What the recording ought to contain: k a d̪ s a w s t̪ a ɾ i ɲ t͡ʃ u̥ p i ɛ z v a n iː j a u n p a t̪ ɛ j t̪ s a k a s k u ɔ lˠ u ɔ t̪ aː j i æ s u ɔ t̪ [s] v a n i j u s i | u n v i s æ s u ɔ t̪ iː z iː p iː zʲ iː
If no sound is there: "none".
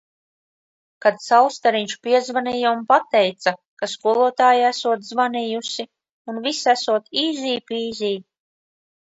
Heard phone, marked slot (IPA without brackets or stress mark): z